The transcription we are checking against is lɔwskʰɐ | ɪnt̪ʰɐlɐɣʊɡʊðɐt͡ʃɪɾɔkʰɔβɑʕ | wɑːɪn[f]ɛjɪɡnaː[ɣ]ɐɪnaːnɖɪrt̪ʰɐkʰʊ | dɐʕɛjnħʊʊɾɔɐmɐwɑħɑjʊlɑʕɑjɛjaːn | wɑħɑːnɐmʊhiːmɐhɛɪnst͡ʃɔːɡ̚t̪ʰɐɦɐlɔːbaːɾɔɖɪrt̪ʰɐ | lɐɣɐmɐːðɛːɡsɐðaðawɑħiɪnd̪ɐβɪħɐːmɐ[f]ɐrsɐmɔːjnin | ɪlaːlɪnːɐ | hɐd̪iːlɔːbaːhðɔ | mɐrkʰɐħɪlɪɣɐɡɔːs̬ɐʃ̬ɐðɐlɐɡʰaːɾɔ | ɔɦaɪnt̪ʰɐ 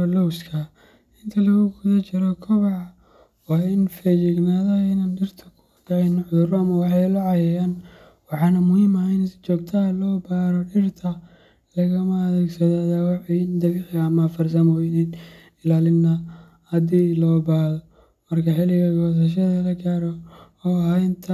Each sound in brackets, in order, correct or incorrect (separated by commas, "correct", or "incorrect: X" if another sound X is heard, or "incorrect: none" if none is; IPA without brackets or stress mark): correct, incorrect: ð, correct